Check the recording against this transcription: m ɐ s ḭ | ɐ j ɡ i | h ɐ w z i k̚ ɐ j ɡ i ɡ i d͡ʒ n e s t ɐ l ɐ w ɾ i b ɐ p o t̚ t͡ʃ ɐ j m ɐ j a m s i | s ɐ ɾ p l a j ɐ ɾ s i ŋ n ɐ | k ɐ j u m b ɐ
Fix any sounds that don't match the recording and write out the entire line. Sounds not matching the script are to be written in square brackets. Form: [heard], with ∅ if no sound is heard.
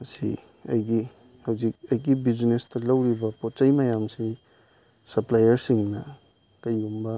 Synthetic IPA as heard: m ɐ s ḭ | ɐ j ɡ i | h ɐ w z i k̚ ɐ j ɡ i [b] i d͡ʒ n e s t ɐ l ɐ w ɾ i b ɐ p o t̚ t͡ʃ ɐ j m ɐ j a m s i | s ɐ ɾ p l a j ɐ ɾ s i ŋ n ɐ | k ɐ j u m b ɐ